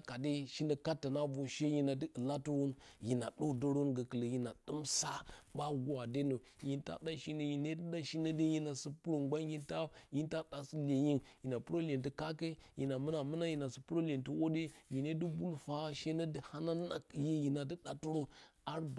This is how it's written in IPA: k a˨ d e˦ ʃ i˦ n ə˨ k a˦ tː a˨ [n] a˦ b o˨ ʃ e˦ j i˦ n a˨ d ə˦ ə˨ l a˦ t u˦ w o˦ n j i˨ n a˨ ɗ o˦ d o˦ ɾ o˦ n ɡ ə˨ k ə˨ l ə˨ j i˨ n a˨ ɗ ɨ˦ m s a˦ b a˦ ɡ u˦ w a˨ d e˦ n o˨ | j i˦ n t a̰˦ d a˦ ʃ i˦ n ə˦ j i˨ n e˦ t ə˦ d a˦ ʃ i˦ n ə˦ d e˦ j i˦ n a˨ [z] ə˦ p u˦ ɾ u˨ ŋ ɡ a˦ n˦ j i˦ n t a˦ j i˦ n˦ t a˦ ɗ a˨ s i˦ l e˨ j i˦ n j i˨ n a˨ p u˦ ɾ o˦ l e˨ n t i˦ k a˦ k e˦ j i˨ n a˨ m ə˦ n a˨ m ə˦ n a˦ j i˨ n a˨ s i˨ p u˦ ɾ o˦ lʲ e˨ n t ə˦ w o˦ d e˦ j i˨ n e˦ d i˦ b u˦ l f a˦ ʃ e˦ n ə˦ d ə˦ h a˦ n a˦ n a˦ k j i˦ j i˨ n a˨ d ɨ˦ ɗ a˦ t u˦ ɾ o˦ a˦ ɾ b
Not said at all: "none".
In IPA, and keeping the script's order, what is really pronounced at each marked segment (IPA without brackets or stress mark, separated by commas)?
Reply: n, s